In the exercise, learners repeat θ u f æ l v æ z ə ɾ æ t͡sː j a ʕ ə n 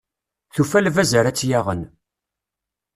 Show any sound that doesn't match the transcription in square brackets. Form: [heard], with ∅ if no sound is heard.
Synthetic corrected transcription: θ u f æ l v æ z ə ɾ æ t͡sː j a [ʁ] ə n